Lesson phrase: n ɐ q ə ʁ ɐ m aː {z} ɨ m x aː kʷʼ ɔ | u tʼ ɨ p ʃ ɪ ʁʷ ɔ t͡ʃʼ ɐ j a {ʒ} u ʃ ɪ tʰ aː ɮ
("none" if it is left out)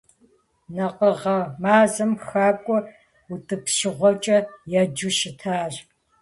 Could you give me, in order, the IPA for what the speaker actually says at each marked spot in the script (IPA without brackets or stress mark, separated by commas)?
z, d͡ʒ